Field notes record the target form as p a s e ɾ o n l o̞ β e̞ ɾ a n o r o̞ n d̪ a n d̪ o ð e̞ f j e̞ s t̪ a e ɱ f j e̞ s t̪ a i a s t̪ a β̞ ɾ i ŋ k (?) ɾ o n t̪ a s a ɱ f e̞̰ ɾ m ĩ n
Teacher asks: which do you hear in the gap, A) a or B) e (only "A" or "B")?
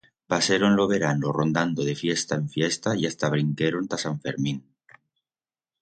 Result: B